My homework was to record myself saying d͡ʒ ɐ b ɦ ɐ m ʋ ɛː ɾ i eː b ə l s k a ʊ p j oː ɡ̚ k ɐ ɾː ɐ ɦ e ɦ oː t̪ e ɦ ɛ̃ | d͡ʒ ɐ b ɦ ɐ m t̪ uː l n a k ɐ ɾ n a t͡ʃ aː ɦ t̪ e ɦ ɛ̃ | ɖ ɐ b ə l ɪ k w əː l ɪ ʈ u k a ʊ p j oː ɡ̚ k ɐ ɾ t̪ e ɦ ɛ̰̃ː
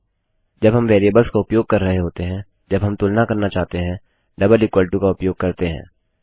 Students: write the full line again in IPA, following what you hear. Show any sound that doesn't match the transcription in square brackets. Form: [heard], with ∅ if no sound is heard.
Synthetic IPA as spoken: d͡ʒ ɐ b ɦ ɐ m ʋ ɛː ɾ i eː b ə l s k a ʊ p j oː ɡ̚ k ɐ ɾː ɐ ɦ e ɦ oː t̪ e ɦ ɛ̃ | d͡ʒ ɐ b ɦ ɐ m t̪ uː l n a k ɐ ɾ n a t͡ʃ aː ɦ t̪ e ɦ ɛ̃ | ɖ ɐ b ə l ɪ k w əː l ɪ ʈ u k a ʊ p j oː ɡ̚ k ɐ ɾ t̪ e ɦ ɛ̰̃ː